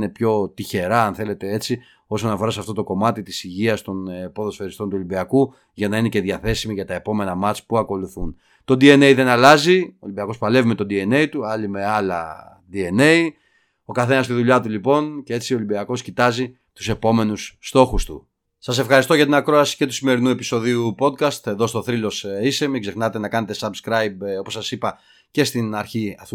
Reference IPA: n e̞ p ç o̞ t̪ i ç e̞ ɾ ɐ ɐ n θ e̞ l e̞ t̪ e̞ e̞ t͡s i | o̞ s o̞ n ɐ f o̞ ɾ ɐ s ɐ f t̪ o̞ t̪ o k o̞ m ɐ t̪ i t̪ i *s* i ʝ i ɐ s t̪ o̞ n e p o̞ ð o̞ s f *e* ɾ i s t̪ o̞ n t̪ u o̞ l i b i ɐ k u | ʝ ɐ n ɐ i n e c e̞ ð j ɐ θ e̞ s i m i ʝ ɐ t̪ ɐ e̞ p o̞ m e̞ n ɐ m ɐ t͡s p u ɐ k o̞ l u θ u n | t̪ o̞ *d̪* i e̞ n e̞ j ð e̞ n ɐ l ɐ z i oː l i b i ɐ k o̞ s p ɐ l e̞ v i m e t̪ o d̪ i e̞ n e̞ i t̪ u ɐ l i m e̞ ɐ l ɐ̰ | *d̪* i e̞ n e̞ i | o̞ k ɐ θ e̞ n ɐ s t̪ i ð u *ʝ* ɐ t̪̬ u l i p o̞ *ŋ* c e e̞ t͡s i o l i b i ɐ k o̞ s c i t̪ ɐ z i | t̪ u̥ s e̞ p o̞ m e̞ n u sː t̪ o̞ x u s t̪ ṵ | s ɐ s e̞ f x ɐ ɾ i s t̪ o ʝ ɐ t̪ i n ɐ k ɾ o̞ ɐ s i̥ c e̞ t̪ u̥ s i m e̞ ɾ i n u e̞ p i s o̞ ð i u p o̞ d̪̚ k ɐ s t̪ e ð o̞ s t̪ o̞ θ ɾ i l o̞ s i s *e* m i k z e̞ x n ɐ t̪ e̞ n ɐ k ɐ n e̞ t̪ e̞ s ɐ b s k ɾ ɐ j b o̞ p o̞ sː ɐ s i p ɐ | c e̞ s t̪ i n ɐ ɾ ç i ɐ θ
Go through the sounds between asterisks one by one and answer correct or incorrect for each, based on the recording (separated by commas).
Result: correct, correct, correct, correct, incorrect, incorrect, correct